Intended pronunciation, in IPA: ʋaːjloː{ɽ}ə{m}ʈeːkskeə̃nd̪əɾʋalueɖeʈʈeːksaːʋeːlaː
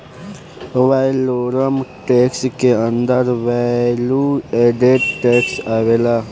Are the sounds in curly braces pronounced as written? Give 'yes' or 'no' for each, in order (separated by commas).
no, yes